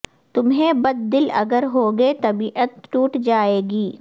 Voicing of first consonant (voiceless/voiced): voiceless